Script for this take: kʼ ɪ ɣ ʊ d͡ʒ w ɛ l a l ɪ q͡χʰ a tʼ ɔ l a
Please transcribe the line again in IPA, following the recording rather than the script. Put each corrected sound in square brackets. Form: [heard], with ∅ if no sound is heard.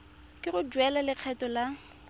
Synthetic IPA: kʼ ɪ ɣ ʊ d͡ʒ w ɛ l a l ɪ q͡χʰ [ɛ] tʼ ɔ l a